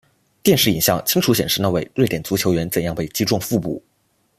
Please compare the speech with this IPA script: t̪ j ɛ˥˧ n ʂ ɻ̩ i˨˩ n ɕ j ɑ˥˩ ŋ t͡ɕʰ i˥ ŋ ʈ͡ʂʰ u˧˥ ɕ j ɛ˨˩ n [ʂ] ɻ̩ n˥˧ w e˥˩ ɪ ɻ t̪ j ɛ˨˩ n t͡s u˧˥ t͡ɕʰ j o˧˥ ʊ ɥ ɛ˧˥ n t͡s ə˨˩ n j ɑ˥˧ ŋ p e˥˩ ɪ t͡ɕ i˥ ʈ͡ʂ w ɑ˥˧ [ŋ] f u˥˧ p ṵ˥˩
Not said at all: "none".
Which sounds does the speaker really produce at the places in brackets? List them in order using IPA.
ʂ, ŋ

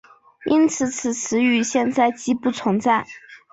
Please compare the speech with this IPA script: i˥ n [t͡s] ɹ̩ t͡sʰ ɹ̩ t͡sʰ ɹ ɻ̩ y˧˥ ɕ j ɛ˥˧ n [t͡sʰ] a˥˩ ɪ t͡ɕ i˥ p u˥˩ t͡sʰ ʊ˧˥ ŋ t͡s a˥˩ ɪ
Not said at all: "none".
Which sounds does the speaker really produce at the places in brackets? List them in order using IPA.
t͡sʰ, t͡s

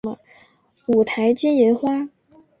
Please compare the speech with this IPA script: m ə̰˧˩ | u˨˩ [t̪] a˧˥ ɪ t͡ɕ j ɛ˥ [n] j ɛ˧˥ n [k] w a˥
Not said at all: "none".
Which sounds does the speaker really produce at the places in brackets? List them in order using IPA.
t̪ʰ, n, x

